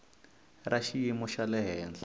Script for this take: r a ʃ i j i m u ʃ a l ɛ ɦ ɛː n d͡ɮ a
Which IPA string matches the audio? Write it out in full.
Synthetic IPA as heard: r a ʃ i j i m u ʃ a l ɛ ɦ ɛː n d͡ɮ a